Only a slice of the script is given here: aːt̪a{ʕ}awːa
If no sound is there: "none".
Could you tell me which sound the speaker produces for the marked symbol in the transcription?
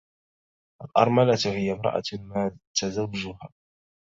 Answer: z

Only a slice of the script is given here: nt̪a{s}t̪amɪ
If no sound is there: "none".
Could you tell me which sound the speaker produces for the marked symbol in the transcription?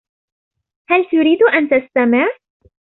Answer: s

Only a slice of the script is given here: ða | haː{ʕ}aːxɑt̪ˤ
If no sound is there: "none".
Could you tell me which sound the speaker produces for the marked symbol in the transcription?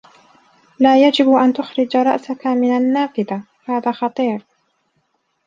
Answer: ð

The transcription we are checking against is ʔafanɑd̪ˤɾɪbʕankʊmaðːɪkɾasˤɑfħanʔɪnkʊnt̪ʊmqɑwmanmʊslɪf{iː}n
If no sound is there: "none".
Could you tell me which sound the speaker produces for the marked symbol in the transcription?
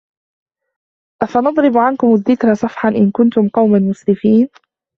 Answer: iː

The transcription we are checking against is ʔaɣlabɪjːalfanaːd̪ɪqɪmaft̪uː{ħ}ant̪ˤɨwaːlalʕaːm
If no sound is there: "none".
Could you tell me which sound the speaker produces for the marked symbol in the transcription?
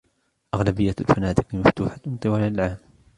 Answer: ħ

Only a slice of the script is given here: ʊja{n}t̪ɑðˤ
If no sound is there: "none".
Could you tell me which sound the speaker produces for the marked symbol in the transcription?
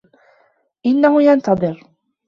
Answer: n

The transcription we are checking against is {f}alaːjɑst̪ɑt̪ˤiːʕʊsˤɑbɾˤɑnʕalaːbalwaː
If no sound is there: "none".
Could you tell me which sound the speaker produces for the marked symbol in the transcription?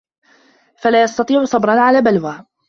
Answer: f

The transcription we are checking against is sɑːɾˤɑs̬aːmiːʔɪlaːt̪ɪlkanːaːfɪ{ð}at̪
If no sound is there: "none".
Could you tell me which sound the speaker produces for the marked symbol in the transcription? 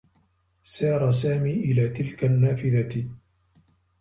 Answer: ð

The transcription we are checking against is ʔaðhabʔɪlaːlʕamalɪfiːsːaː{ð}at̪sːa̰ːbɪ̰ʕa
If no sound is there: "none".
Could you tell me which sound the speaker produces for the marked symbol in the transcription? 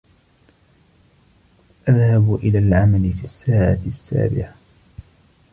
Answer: ʕ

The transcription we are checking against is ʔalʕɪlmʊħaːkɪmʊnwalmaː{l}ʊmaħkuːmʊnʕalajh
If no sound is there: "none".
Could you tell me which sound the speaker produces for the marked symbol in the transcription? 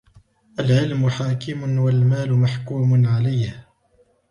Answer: l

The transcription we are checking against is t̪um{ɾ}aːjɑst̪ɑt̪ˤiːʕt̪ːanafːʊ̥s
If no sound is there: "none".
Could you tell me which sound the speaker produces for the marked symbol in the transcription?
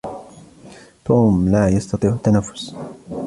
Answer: l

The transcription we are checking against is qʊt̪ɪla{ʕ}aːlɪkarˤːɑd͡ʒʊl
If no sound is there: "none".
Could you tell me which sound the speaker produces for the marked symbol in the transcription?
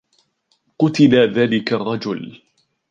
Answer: ð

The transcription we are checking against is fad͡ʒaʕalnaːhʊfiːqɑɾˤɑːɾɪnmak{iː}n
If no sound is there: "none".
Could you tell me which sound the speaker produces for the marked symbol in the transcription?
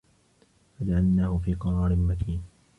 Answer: iː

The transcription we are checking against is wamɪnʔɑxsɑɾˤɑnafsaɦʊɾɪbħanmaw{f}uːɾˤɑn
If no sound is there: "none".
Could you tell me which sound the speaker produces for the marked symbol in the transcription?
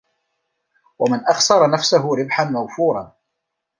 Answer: f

